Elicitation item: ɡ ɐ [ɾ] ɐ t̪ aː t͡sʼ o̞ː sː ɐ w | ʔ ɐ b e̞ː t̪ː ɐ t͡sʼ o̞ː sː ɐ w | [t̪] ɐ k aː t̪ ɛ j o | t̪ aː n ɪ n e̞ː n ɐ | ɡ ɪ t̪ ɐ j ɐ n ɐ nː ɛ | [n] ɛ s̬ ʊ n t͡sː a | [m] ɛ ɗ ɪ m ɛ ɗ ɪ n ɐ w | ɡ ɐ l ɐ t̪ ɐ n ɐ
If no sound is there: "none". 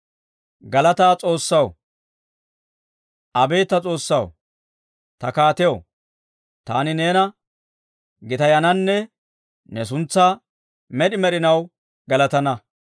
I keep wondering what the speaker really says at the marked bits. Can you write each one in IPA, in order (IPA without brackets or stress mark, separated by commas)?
l, t̪, n, m